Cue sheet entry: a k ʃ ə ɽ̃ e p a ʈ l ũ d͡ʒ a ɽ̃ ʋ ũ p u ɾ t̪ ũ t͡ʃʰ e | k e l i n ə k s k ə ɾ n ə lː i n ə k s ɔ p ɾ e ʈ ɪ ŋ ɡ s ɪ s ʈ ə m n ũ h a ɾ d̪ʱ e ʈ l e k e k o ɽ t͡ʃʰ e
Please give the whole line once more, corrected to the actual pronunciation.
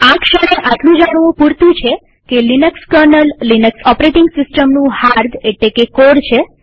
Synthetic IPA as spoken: a k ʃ ə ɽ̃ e ʔ a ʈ l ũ d͡ʒ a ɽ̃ ʋ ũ p u ɾ t̪ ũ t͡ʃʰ e | k e l i n ə k s k ə ɾ n ə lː i n ə k s ɔ p ɾ e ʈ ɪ ŋ ɡ s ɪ s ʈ ə m n ũ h a ɾ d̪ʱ e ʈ l e k e k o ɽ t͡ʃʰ e